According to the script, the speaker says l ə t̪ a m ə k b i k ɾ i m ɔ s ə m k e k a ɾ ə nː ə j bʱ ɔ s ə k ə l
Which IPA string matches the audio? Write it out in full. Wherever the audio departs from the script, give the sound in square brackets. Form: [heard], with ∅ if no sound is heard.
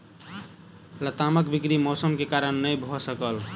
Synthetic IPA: l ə t̪ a m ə k b i k ɾ i m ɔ s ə m k e k a ɾ ə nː ə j bʱ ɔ s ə k ə l